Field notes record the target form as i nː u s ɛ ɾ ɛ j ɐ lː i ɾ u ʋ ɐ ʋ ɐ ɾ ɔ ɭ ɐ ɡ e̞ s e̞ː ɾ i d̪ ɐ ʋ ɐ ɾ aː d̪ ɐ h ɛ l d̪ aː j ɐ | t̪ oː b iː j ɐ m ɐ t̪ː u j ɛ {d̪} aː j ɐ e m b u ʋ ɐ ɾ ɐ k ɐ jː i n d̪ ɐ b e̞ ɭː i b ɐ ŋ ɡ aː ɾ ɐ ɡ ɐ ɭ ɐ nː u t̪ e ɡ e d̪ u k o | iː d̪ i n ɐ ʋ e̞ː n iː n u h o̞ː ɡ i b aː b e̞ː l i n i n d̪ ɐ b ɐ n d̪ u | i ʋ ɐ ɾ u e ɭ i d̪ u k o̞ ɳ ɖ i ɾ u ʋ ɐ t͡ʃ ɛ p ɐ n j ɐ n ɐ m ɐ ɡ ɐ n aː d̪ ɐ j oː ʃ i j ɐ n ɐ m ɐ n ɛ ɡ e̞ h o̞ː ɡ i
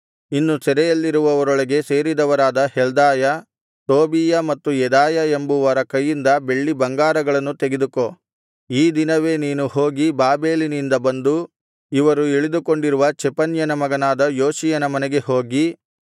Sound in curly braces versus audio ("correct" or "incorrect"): correct